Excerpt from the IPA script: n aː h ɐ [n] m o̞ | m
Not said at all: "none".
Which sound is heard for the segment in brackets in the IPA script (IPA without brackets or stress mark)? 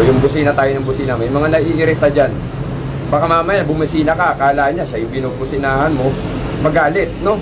n